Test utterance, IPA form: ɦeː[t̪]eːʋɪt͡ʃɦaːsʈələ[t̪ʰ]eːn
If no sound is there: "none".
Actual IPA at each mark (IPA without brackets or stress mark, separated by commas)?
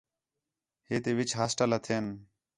t̪, t̪ʰ